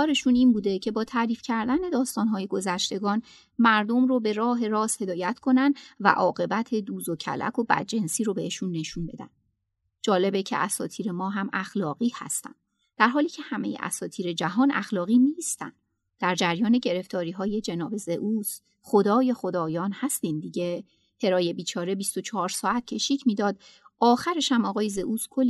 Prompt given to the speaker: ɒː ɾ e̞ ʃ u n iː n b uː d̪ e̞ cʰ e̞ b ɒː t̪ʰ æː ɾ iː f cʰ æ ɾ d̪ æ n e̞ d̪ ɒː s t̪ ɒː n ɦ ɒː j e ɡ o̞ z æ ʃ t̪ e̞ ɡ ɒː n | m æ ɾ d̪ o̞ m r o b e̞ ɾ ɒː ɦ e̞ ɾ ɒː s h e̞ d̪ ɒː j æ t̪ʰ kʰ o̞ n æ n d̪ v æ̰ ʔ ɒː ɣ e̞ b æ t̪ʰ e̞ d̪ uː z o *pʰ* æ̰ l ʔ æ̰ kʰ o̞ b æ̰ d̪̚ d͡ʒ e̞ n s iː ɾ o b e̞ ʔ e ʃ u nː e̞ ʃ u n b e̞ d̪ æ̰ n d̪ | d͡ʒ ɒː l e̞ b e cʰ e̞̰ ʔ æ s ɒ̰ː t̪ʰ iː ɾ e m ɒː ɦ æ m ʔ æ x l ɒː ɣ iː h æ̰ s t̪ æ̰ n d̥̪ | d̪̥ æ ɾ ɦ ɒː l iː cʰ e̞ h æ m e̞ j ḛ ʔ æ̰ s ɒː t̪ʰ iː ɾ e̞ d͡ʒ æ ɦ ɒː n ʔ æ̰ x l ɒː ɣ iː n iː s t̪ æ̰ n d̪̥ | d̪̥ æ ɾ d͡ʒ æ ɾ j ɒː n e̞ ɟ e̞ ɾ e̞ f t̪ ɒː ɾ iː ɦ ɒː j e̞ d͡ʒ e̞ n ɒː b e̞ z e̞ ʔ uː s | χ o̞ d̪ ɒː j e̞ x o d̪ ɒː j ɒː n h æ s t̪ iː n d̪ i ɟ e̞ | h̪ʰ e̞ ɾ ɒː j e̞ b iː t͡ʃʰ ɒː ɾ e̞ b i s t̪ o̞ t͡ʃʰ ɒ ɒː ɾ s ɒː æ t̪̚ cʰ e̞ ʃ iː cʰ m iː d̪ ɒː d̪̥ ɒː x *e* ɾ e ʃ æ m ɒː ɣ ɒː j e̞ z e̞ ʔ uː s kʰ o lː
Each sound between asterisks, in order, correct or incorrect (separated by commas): incorrect, incorrect